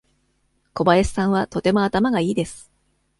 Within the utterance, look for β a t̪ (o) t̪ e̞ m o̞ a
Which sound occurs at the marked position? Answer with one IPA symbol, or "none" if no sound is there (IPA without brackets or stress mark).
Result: o